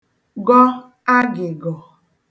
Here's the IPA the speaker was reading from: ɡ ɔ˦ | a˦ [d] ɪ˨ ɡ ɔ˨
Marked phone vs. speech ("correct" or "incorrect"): incorrect